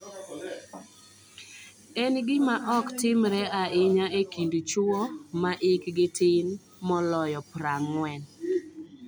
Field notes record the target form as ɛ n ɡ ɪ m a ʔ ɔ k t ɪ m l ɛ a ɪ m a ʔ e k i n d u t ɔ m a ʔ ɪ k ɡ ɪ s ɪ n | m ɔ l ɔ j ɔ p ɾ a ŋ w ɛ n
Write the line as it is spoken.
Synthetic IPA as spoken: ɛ n ɡ ɪ m a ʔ ɔ k t ɪ m ɾ ɛ a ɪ ɲ a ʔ e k i n d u t͡ʃ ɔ m a ʔ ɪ k ɡ ɪ t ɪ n | m ɔ l ɔ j ɔ p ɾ a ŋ w ɛ n